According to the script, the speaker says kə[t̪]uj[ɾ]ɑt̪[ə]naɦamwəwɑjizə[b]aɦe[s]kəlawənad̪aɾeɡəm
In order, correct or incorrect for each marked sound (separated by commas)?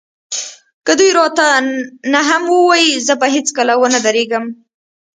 incorrect, correct, incorrect, correct, incorrect